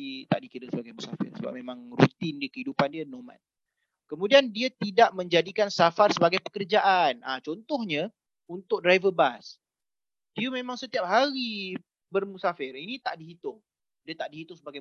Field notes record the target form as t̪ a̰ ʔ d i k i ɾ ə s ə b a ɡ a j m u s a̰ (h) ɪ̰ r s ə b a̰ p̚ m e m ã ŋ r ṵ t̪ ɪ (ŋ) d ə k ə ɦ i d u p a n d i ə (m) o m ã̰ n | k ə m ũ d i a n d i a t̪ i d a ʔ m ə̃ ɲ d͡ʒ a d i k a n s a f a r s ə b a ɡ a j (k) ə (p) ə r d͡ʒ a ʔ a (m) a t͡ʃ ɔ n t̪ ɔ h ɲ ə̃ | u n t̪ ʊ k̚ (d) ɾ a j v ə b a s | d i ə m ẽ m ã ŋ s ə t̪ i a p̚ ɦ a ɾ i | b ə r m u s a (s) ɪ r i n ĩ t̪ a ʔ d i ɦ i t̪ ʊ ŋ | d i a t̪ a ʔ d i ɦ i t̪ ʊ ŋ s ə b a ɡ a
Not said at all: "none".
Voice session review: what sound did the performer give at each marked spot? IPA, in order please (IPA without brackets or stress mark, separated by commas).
f, n, n, p, k, n, d, f